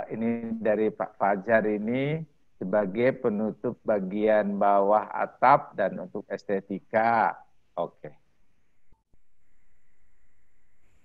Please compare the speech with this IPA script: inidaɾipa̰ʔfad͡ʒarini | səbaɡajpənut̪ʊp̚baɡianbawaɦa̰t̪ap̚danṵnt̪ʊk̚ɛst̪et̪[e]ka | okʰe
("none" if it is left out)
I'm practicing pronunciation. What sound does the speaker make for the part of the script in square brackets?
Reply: i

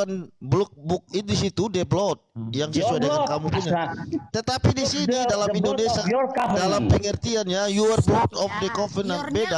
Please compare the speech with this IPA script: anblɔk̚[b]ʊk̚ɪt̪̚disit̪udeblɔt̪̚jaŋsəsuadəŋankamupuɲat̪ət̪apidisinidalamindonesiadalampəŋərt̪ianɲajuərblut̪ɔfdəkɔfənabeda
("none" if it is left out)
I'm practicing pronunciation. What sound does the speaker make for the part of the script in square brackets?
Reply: b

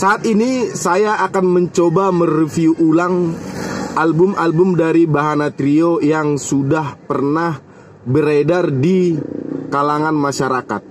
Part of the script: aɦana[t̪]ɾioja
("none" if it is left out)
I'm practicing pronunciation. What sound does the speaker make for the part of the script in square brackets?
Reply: t̪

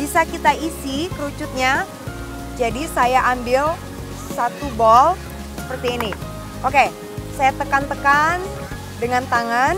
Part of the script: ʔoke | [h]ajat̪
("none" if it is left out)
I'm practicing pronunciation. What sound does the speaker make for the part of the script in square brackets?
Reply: s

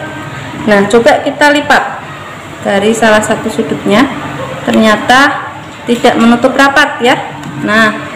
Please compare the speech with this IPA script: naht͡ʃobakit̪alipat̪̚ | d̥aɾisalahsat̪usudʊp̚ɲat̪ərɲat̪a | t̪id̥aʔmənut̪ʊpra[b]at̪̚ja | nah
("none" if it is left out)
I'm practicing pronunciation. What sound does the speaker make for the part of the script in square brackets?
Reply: p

